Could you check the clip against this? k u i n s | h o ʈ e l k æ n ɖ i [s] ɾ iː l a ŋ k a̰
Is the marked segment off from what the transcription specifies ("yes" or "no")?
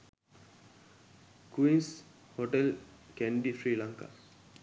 yes